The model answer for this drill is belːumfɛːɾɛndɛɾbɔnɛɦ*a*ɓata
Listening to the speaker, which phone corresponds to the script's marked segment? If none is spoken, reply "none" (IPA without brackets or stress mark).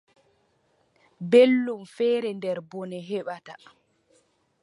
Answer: ɛ